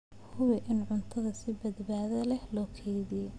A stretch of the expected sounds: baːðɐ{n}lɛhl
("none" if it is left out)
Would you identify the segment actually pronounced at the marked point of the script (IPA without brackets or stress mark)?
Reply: none